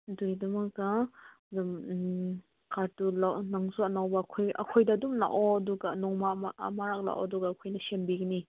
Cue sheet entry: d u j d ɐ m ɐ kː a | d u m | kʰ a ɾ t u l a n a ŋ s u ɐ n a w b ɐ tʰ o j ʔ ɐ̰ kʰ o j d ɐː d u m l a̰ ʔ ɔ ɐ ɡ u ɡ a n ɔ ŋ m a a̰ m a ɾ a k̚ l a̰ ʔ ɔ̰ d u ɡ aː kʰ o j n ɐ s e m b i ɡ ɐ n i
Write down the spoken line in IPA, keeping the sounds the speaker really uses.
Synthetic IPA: d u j d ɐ m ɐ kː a | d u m | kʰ a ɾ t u l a n a ŋ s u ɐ n a w b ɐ kʰ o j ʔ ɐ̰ kʰ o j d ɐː d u m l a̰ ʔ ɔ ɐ d u ɡ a n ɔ ŋ m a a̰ m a ɾ a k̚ l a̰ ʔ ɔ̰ d u ɡ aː kʰ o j n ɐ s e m b i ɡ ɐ n i